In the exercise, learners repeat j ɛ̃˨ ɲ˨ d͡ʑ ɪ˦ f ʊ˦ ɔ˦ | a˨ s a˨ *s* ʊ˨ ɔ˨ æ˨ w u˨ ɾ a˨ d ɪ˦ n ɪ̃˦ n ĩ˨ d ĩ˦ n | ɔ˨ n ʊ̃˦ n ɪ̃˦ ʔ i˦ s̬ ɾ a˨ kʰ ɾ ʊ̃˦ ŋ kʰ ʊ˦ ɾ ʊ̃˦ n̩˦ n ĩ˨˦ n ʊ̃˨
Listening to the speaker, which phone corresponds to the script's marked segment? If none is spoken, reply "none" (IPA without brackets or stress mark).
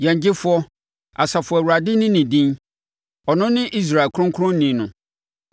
f